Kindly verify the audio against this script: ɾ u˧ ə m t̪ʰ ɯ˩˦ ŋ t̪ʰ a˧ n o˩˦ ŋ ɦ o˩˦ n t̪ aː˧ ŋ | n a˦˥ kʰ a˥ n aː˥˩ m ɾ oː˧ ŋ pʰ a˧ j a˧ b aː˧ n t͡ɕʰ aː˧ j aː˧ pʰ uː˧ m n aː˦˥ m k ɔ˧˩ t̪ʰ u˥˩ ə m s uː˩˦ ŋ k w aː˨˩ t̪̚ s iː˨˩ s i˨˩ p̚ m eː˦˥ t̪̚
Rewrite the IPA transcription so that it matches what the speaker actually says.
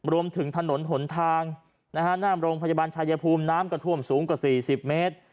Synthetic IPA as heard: ɾ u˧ ə m t̪ʰ ɯ˩˦ ŋ t̪ʰ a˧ n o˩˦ n ɦ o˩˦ n t̪ʰ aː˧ ŋ | n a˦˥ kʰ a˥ n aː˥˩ m ɾ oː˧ ŋ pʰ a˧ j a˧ b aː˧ n t͡ɕʰ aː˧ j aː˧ pʰ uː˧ m n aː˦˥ m k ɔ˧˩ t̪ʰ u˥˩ ə m s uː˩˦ ŋ k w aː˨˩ s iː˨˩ s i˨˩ p̚ m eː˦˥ t̪̚